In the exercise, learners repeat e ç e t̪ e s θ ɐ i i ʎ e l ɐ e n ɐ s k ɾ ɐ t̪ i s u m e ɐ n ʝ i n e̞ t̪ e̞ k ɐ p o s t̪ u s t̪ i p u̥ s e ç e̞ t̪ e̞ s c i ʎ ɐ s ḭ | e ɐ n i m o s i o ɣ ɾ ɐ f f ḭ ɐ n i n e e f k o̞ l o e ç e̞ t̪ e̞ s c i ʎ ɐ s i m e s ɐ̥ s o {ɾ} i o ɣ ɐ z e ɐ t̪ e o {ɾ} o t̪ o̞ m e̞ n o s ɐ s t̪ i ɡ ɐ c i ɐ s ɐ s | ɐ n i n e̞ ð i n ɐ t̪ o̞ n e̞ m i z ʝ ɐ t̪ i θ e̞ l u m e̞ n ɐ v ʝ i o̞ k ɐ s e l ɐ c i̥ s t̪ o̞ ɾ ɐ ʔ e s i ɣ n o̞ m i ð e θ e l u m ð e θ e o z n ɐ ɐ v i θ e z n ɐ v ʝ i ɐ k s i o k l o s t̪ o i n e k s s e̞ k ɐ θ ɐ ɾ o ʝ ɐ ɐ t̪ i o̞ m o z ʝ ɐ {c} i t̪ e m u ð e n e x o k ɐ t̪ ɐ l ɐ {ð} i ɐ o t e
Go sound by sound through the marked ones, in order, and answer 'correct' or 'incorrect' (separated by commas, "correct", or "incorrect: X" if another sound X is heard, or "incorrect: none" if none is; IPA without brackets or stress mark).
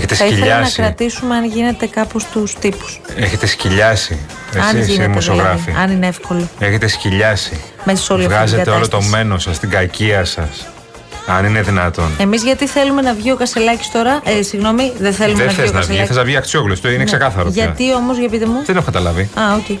incorrect: l, incorrect: l, incorrect: p, incorrect: v